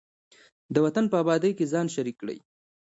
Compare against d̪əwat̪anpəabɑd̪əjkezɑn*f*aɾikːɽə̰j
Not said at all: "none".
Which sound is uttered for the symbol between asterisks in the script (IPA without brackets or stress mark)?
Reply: ʃ